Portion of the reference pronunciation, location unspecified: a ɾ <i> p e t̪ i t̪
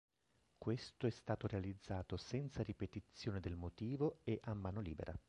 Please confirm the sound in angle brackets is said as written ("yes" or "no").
yes